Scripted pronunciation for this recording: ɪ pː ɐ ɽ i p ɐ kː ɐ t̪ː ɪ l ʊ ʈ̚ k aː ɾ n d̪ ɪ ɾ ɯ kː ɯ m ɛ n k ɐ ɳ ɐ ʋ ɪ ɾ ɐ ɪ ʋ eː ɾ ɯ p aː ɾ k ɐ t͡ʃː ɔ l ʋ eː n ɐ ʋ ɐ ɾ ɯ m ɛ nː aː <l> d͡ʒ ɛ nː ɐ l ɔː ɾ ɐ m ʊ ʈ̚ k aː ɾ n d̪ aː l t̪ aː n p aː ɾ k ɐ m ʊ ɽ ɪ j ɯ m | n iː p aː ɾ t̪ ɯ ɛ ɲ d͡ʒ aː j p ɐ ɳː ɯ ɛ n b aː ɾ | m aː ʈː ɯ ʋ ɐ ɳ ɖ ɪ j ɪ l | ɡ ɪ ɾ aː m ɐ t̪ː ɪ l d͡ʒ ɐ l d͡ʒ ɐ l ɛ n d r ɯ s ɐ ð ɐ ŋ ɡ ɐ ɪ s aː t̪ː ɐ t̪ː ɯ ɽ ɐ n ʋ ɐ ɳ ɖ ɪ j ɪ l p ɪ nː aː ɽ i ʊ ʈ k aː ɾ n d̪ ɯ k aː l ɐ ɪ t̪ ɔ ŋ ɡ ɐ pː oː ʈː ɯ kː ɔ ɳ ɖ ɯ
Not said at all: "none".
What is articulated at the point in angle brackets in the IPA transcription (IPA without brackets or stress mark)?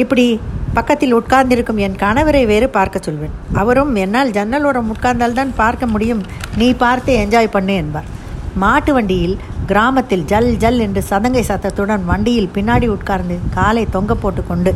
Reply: l